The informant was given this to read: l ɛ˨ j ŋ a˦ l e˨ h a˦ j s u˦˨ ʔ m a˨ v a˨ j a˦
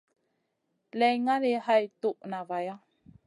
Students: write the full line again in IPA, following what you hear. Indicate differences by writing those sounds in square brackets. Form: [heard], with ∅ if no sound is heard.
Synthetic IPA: l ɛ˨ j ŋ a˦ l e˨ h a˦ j [t] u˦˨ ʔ [n] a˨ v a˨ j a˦